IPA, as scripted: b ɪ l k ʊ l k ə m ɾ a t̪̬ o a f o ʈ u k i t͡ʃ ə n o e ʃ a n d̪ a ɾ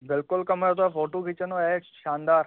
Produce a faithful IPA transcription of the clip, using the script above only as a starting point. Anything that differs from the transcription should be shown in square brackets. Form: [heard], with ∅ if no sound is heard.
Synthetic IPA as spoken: b ɪ l k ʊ l k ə m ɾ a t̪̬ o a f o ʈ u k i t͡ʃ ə n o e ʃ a n d̪ a ɾ